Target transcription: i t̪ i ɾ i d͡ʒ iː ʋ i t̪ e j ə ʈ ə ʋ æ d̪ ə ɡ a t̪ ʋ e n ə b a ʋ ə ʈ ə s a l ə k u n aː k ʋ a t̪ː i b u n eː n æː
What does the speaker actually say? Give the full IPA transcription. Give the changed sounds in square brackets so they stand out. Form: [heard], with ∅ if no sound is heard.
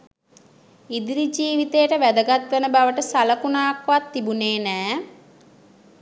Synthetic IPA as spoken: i [d̪] i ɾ i d͡ʒ iː ʋ i t̪ e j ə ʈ ə ʋ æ d̪ ə ɡ a t̪ ʋ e n ə b a ʋ ə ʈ ə s a l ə k u n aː k ʋ a t̪ː i b u n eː n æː